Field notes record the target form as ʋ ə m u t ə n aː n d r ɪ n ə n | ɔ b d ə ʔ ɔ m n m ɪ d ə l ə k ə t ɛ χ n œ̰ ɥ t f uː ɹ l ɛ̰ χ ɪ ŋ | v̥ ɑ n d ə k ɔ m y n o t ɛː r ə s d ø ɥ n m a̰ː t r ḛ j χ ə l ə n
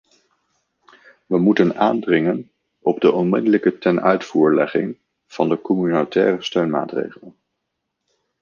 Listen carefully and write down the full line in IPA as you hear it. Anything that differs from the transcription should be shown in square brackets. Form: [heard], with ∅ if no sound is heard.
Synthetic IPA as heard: ʋ ə m u t ə n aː n d r ɪ [ŋ] ə n | ɔ b d ə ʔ ɔ [∅] n m ɪ d ə l ə k ə t ɛ [∅] n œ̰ ɥ t f uː ɹ l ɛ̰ χ ɪ ŋ | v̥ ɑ n d ə k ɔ m y n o t ɛː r ə s [t] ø ɥ n m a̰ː t r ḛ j χ ə l ə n